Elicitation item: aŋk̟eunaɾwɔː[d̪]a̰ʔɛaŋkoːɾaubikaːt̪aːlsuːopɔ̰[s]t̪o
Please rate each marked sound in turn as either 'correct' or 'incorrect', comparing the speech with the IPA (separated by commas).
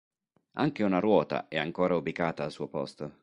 incorrect, correct